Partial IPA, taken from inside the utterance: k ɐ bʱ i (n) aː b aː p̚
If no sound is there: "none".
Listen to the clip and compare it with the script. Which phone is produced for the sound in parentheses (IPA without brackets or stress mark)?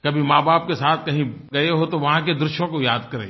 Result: m